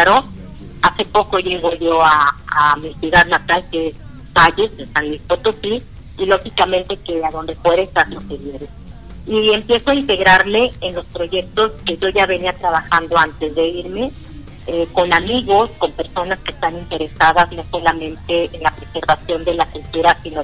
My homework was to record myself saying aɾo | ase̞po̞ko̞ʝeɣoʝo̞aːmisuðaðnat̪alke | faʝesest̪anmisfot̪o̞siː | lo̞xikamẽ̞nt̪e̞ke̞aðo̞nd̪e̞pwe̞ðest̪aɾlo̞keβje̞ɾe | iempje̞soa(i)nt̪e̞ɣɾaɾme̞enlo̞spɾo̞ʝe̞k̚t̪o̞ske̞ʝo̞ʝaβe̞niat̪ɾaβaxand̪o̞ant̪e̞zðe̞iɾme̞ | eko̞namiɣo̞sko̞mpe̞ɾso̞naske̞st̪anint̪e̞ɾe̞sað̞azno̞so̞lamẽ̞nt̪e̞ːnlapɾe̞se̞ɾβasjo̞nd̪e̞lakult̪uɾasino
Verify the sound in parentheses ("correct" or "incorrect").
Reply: correct